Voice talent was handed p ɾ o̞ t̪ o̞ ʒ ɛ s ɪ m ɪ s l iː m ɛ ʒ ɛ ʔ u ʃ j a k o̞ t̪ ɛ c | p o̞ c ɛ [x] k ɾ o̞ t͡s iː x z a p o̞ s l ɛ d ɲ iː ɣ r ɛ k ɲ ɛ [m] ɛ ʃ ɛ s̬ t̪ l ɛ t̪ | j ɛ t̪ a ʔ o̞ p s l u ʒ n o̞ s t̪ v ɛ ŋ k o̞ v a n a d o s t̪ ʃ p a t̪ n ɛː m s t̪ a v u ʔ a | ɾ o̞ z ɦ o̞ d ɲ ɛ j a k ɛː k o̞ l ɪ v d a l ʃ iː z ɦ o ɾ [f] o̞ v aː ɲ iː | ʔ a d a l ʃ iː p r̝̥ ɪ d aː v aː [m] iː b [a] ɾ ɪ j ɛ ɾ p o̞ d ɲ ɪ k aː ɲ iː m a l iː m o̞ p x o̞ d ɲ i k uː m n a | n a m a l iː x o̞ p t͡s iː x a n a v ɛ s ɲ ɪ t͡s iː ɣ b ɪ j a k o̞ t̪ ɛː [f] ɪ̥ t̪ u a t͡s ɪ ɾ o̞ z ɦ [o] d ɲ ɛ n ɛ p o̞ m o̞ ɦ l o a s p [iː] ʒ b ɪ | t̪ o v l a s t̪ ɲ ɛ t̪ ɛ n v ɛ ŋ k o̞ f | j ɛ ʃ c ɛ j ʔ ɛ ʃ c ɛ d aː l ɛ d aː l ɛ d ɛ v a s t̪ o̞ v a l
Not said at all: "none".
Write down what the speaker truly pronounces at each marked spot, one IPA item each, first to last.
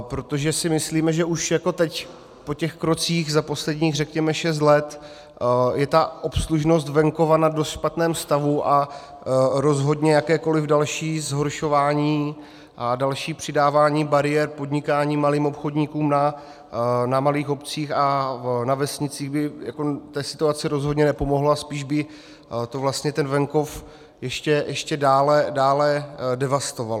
x, m, ʃ, ɲ, a, s, o, iː

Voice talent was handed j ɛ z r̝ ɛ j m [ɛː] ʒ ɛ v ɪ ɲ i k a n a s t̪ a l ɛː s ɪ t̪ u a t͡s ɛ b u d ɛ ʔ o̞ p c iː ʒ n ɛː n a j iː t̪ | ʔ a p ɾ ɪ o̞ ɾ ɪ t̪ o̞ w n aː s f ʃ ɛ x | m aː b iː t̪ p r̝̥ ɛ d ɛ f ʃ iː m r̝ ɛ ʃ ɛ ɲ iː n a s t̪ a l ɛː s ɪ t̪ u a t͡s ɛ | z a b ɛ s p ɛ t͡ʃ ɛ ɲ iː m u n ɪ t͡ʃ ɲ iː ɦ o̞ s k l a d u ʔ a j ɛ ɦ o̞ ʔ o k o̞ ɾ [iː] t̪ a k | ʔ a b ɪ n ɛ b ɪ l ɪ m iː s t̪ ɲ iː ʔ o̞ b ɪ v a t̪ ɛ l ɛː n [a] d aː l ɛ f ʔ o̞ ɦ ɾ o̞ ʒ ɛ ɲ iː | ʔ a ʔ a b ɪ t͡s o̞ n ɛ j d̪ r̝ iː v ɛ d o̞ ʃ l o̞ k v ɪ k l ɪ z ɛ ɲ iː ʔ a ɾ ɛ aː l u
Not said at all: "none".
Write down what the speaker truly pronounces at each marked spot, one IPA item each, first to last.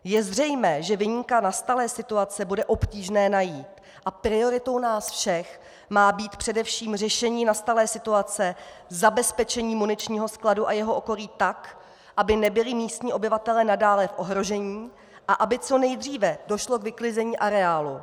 ɛː, iː, a

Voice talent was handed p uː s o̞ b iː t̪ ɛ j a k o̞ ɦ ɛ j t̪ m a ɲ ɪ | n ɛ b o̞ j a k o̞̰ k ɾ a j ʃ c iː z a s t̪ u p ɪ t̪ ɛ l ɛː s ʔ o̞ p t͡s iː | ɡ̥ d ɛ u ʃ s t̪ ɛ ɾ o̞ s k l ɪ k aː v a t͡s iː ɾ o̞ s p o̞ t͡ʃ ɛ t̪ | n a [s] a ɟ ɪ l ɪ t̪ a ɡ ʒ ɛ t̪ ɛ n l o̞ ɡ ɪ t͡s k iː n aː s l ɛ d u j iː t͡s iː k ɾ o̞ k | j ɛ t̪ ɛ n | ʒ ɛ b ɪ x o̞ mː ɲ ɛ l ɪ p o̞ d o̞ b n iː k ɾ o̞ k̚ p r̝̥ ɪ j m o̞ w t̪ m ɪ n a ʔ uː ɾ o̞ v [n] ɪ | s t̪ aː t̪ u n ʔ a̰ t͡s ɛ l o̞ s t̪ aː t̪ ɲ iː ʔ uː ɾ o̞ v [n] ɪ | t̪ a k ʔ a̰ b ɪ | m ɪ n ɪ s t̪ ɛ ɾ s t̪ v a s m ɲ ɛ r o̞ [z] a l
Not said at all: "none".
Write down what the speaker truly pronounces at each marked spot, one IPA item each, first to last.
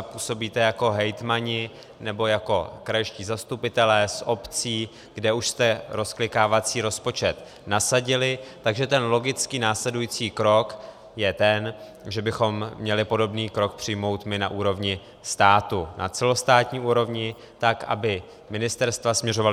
s, ɲ, ɲ, v

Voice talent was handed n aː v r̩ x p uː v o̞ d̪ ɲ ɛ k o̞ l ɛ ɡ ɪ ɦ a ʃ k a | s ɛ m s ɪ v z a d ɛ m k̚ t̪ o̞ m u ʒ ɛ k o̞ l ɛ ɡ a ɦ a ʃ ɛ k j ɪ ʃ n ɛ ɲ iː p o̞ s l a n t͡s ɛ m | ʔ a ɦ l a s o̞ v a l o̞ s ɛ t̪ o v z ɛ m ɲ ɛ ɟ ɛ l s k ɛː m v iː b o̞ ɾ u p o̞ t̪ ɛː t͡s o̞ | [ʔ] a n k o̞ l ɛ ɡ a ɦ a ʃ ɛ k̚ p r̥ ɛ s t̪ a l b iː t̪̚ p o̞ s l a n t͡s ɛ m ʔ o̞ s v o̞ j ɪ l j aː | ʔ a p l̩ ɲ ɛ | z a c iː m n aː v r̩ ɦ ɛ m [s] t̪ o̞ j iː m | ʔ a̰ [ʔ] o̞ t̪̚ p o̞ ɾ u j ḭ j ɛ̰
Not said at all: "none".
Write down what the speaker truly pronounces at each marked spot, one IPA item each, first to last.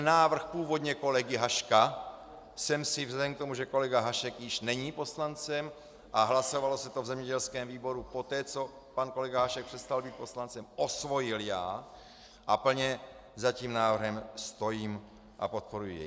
p, s, p

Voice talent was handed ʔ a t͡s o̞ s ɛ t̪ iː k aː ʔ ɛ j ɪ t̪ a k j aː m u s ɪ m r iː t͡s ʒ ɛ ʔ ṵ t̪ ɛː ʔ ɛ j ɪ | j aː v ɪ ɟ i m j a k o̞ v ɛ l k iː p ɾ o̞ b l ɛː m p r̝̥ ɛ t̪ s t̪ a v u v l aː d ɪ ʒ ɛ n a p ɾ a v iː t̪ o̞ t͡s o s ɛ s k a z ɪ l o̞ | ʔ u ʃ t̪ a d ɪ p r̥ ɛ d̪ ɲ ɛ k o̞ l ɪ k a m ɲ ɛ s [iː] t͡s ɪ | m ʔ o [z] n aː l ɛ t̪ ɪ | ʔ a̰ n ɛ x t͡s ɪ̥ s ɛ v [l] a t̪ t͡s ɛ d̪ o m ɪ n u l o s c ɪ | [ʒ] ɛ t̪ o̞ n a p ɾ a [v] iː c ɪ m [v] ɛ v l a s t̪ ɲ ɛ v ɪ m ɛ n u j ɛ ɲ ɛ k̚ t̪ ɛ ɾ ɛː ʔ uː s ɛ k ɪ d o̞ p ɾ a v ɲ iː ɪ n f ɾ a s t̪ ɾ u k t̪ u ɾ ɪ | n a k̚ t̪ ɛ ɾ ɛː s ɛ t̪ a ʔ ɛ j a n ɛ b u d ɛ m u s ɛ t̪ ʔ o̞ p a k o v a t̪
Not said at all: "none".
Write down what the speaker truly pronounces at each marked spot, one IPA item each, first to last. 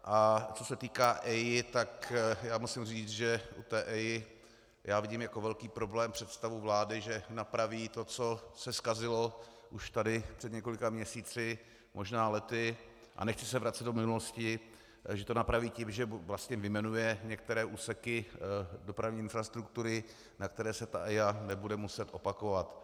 iː, ʒ, ɾ, ʒ, v, ʒ

